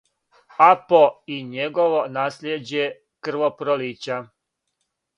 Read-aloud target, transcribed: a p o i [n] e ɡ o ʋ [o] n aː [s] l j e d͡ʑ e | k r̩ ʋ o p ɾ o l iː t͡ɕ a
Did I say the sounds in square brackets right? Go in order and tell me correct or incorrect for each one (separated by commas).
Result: incorrect, correct, correct